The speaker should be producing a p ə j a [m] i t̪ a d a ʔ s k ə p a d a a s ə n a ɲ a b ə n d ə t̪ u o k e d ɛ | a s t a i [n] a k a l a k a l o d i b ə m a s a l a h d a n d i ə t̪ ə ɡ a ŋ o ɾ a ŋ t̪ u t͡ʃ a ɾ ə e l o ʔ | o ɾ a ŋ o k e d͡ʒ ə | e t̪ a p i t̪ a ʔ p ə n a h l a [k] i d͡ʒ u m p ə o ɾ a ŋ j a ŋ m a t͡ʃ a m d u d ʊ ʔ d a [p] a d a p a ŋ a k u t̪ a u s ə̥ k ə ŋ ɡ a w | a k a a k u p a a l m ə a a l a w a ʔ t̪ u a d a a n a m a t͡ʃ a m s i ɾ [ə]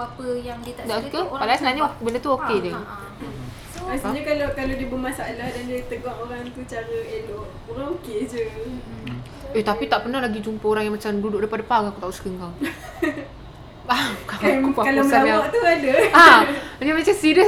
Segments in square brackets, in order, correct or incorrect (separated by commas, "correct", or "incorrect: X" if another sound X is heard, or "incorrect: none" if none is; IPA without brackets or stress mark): incorrect: ŋ, incorrect: ɲ, incorrect: ɡ, correct, correct